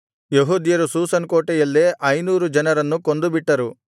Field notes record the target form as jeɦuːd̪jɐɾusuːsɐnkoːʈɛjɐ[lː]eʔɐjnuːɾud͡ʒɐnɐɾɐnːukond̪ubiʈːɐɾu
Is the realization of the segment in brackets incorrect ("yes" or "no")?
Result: no